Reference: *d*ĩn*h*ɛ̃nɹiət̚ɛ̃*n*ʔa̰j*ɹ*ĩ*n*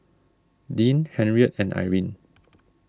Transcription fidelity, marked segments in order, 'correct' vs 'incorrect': correct, correct, correct, correct, correct

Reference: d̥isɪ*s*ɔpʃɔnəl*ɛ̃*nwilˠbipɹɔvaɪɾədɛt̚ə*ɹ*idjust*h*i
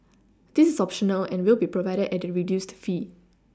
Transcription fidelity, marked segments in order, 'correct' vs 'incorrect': correct, correct, correct, incorrect

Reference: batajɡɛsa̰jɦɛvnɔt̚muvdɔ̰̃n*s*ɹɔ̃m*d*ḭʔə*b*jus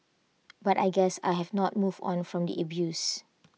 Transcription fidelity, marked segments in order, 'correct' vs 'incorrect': incorrect, correct, correct

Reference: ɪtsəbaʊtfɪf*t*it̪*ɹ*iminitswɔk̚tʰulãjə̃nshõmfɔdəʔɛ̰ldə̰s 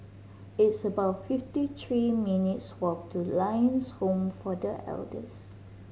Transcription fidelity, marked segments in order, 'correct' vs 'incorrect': correct, correct

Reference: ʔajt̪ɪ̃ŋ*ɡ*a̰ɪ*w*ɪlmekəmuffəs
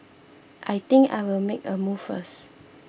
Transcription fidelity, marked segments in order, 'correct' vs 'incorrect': incorrect, correct

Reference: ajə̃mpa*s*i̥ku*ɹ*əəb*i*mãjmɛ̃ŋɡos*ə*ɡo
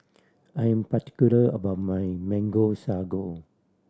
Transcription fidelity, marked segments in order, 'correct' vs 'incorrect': incorrect, incorrect, incorrect, incorrect

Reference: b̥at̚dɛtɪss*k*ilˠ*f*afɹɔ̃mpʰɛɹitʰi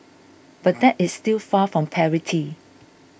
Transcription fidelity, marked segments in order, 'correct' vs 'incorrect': incorrect, correct

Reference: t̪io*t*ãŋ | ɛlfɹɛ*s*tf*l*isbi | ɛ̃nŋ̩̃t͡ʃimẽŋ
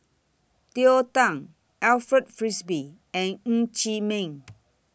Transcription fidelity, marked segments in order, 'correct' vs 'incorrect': correct, incorrect, incorrect

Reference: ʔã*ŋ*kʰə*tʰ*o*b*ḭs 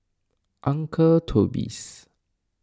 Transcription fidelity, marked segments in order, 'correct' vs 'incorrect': correct, correct, correct

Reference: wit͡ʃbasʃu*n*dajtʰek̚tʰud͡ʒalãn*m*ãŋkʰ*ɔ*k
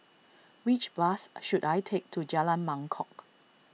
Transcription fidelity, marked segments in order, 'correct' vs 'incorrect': incorrect, correct, correct

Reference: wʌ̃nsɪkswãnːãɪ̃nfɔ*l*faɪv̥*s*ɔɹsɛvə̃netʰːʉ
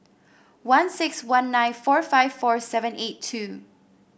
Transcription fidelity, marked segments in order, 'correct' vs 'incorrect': incorrect, incorrect

